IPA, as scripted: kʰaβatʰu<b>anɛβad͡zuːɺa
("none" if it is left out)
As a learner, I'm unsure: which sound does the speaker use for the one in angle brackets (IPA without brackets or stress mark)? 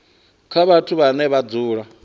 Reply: β